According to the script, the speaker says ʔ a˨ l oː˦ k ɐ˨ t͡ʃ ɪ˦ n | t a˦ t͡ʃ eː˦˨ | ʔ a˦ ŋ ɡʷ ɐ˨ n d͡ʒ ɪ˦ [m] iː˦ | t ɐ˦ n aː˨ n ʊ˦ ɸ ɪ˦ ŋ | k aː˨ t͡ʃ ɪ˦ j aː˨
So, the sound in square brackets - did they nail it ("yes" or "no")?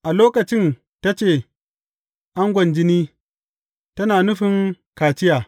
no